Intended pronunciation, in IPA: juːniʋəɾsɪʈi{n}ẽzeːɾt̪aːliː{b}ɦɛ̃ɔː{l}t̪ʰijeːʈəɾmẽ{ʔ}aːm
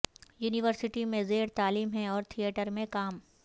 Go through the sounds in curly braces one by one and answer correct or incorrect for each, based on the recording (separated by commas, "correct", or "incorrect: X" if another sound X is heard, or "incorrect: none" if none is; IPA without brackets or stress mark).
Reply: incorrect: m, incorrect: m, incorrect: ɾ, incorrect: k